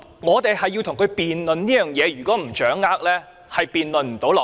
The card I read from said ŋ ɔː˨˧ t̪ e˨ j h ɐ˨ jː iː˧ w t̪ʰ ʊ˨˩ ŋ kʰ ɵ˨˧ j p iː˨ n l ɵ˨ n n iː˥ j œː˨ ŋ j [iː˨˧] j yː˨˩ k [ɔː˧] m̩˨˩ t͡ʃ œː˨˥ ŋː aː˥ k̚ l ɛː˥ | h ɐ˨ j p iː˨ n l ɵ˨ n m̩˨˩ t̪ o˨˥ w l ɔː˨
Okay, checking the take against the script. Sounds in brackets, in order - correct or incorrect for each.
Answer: incorrect: ɛː˨˧, incorrect: ɔː˨˥

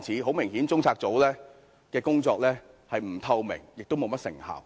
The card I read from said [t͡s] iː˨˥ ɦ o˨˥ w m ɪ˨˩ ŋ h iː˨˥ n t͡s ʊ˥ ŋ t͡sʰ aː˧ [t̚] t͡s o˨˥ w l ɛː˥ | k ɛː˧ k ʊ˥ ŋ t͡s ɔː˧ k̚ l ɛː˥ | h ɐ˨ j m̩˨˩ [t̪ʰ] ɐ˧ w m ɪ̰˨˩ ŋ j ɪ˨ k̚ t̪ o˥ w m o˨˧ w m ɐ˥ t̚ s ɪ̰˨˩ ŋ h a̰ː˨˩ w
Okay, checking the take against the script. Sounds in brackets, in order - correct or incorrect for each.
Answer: incorrect: t͡sʰ, incorrect: k̚, correct

